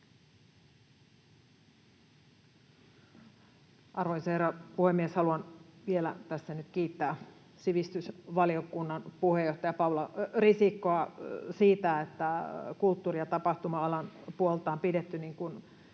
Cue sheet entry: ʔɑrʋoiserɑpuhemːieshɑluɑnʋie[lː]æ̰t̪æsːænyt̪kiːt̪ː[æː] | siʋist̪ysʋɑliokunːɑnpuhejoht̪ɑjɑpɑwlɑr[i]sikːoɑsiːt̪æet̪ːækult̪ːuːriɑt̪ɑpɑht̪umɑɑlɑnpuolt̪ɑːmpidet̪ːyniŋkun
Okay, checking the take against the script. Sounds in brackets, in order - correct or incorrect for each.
incorrect, correct, correct

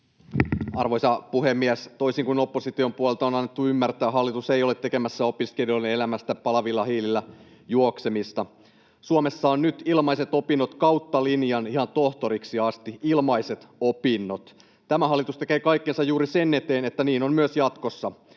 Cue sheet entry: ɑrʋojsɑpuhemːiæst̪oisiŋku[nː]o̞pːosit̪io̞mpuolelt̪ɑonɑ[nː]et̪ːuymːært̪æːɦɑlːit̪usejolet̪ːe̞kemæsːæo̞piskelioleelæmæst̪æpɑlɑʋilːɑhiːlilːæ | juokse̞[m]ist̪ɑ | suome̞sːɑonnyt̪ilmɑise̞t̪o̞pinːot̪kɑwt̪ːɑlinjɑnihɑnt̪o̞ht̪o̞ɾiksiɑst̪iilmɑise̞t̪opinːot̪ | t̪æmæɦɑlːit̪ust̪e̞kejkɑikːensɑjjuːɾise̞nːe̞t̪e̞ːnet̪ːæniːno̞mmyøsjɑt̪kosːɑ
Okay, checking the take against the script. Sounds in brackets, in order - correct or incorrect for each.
incorrect, correct, correct

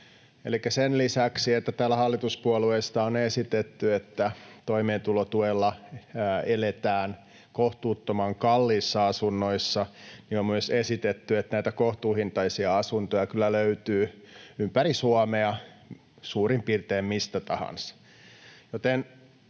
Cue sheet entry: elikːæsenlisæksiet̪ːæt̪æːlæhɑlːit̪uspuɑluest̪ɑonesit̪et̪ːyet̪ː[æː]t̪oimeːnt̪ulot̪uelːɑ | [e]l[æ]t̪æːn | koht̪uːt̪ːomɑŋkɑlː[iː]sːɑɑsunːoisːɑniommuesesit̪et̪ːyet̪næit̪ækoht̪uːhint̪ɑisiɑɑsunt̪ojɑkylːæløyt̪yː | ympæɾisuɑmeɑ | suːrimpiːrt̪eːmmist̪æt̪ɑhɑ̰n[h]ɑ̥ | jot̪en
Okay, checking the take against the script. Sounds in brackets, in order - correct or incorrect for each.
incorrect, correct, incorrect, correct, incorrect

